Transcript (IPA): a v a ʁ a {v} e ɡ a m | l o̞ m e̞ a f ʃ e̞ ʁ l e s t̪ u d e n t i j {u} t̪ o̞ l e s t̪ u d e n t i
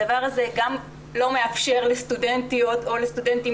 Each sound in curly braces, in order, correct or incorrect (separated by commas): incorrect, incorrect